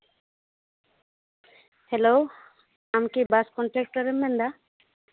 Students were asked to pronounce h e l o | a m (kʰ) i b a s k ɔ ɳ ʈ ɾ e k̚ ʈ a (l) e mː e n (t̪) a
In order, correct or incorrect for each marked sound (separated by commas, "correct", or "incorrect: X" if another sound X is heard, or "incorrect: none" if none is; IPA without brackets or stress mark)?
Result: incorrect: k, incorrect: ɾ, incorrect: d̪